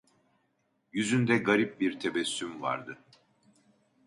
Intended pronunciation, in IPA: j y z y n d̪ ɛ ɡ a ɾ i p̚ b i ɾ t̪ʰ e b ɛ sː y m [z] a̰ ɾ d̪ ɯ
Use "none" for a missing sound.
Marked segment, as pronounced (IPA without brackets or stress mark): v